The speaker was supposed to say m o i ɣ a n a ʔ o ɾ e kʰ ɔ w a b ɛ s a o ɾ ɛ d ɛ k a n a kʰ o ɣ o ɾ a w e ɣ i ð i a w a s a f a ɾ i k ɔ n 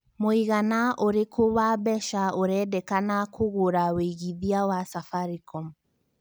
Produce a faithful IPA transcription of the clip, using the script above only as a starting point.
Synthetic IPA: m o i ɣ a n a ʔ o ɾ e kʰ o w a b ɛ ʃ a o ɾ ɛ d ɛ k a n a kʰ o ɣ o ɾ a w e ɣ i ð i a w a s a f a ɾ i k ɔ m